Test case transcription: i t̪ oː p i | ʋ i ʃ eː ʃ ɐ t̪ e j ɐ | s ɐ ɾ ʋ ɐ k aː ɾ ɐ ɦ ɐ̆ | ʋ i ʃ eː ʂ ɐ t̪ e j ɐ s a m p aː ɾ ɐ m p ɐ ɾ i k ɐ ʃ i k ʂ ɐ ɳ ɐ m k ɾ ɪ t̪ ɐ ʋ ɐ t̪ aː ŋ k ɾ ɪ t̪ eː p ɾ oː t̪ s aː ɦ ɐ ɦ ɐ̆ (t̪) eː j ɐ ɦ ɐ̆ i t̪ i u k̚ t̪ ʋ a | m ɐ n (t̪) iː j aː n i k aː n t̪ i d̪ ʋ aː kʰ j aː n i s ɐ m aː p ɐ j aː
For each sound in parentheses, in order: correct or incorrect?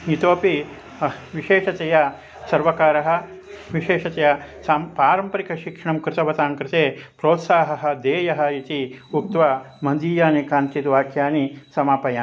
incorrect: d̪, incorrect: d̪

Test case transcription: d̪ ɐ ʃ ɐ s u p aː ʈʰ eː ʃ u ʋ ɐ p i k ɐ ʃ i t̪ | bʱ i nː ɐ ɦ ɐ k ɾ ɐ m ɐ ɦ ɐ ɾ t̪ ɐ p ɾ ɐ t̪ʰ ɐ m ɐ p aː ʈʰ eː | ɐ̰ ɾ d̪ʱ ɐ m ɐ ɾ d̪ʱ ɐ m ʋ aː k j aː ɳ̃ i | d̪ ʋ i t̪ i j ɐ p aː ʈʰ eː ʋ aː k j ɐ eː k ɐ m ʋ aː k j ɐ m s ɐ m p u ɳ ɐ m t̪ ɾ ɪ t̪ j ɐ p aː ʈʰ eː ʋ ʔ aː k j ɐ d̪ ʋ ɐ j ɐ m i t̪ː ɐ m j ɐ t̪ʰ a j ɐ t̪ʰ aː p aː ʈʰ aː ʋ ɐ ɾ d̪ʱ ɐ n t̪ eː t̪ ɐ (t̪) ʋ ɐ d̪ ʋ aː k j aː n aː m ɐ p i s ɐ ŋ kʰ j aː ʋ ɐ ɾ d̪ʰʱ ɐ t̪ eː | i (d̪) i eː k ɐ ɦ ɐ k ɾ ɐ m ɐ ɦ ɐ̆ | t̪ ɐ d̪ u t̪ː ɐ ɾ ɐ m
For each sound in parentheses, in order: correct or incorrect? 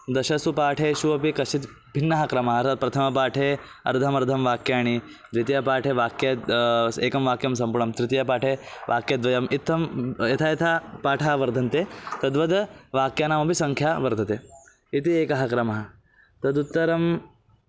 incorrect: d̪, incorrect: t̪

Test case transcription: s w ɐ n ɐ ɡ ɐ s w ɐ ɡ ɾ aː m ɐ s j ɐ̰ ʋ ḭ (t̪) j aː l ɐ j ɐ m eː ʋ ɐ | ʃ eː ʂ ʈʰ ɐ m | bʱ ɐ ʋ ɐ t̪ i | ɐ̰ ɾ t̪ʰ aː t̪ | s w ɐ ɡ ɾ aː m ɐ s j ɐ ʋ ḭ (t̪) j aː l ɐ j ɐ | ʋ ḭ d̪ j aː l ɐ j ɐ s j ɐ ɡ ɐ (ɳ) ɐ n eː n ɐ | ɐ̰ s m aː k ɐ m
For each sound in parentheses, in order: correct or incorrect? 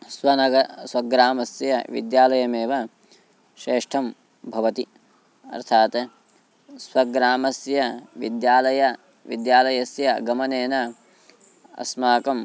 incorrect: d̪, incorrect: d̪, incorrect: m

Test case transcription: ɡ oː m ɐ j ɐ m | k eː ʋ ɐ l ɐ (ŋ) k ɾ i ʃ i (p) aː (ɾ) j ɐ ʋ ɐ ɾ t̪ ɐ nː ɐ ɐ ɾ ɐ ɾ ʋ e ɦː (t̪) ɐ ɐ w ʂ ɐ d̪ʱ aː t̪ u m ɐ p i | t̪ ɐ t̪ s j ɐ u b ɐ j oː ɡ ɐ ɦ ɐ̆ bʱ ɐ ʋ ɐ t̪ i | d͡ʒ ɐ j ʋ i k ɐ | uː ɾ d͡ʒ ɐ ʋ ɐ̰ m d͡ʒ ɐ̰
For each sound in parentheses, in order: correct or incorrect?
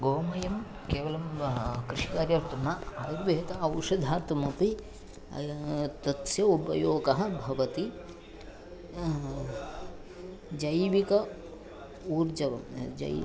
incorrect: m, incorrect: k, correct, correct

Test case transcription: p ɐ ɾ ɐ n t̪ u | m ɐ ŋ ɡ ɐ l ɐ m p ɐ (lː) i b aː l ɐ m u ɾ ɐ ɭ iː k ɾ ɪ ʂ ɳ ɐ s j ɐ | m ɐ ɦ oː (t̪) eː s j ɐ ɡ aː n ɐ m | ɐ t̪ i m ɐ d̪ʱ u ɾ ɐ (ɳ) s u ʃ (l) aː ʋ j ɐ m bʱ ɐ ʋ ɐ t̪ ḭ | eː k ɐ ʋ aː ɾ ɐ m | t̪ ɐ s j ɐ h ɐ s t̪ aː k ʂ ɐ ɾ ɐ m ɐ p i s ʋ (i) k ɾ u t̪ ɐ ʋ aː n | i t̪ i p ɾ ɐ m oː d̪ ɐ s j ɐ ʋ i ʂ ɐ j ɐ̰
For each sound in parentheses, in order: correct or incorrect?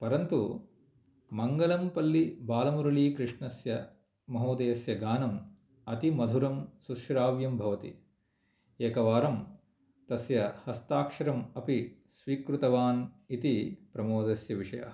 correct, incorrect: d̪, incorrect: m, incorrect: ɾ, incorrect: iː

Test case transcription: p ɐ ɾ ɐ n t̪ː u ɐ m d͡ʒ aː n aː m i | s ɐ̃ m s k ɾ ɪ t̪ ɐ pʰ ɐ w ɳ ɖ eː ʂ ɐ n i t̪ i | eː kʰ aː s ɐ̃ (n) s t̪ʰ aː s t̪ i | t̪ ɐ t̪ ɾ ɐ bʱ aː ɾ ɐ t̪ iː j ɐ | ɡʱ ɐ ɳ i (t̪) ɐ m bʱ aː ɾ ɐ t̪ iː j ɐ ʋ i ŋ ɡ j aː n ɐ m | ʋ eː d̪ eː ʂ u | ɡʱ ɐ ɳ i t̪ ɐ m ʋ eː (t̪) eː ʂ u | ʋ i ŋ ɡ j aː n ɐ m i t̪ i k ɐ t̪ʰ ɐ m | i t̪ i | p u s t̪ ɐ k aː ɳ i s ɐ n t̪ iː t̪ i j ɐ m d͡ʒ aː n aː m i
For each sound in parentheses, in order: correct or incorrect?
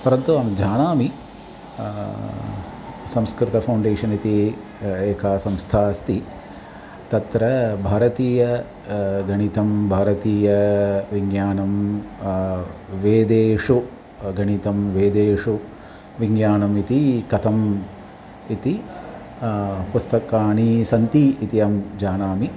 incorrect: m, correct, incorrect: d̪

